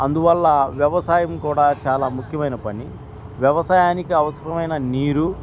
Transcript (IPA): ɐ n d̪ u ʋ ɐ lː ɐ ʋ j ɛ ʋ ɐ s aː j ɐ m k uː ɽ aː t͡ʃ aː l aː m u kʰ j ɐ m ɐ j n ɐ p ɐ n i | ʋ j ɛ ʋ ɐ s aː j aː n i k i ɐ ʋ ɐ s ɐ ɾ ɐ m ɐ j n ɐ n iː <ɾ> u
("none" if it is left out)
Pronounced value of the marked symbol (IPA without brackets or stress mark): ɾ